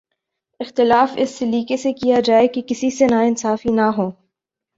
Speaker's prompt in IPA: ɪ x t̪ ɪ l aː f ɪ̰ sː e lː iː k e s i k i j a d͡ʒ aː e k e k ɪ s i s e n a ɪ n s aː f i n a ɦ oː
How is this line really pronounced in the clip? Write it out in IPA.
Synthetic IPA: ɪ x t̪ ɪ l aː f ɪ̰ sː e l iː k e s e k i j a d͡ʒ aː e k e k ɪ s i s e n a ɪ n s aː f i n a ɦ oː